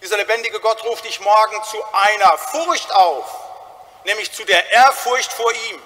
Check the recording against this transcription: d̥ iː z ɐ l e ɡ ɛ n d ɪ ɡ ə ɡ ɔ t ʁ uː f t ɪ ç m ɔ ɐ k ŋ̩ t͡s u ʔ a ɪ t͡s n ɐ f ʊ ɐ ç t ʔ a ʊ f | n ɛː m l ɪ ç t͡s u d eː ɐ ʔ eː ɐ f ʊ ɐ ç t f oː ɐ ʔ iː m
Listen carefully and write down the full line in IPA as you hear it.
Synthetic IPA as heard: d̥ iː z ɐ l e b ɛ n d ɪ ɡ ə ɡ ɔ t ʁ uː f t ɪ ç m ɔ ɐ ɡ ŋ̩ t͡s u ʔ a ɪ n ɐ f ʊ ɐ ç t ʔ a ʊ f | n ɛː m l ɪ ç t͡s u d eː ɐ ʔ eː ɐ f ʊ ɐ ç t f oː ɐ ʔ iː m